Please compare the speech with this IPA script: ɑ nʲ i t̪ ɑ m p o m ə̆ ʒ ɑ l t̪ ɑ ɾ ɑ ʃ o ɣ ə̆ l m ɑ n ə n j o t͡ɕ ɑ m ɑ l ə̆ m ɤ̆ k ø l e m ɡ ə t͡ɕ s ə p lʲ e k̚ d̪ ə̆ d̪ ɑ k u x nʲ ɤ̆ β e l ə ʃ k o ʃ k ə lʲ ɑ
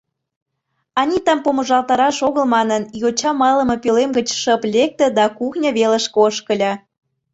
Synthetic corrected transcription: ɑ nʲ i t̪ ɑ m p o m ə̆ ʒ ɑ l t̪ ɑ ɾ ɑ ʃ o ɣ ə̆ l m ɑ n ə n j o t͡ɕ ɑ m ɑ l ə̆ m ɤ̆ p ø l e m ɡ ə t͡ɕ ʃ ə p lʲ e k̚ t̪ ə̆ d̪ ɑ k u x nʲ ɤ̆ β e l ə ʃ k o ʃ k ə lʲ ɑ